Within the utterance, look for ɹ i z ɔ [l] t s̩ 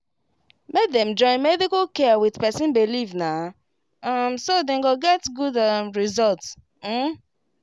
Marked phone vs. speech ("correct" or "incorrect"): correct